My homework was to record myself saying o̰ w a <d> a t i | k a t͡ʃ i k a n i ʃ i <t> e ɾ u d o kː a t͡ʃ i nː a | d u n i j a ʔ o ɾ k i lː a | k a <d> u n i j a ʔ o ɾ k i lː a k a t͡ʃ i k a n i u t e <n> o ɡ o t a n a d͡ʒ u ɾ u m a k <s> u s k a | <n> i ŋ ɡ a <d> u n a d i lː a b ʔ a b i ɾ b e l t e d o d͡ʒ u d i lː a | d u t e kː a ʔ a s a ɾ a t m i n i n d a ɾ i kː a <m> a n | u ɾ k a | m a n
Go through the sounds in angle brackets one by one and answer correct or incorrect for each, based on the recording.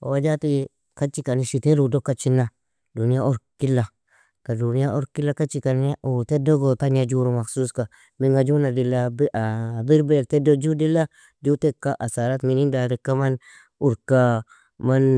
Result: incorrect: d͡ʒ, correct, correct, incorrect: d, correct, incorrect: m, incorrect: d͡ʒ, correct

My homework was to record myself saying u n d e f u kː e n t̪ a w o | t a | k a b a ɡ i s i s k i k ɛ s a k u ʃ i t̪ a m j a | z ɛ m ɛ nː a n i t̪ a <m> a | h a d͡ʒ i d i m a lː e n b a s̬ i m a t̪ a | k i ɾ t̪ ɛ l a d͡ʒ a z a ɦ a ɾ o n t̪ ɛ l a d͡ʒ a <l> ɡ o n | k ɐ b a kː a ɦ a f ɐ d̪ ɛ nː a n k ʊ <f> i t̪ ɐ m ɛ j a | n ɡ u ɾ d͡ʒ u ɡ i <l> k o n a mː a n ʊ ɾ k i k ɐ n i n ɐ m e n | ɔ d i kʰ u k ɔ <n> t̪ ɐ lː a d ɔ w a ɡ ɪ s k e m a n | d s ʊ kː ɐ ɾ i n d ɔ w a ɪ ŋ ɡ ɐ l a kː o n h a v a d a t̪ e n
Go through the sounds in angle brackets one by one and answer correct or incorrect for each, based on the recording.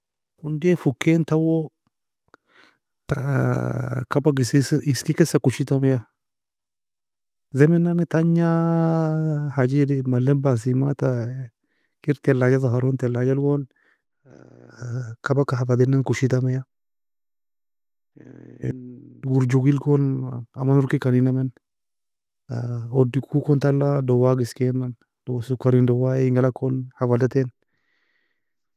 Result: incorrect: ɲ, correct, incorrect: ʃ, correct, correct

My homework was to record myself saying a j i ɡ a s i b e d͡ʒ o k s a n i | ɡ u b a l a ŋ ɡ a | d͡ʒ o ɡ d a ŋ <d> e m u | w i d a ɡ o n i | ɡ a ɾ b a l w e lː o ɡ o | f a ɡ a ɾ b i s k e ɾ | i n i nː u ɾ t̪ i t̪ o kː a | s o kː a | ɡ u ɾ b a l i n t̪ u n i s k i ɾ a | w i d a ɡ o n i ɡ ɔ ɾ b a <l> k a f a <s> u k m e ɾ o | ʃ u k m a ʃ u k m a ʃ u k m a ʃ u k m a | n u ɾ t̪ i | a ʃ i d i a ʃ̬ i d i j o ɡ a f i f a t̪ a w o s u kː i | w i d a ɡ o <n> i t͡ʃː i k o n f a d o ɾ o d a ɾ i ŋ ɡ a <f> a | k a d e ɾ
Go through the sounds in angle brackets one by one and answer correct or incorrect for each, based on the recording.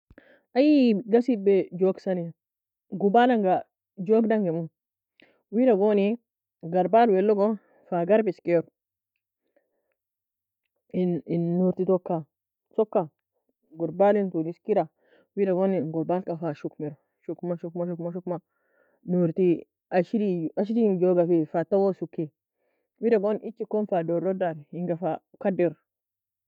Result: incorrect: ɡ, correct, incorrect: ʃ, correct, correct

